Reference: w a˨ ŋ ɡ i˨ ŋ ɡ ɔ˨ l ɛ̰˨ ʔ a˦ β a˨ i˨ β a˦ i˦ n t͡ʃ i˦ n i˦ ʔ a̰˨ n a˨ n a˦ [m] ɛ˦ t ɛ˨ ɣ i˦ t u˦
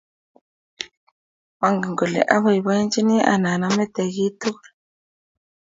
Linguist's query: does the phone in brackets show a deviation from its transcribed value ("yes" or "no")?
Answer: no